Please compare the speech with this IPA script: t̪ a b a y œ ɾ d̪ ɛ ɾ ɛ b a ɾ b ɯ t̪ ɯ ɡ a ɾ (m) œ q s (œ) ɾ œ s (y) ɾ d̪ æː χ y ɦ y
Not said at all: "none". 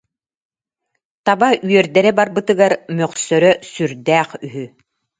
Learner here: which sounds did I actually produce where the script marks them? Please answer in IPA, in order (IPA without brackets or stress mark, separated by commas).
m, œ, y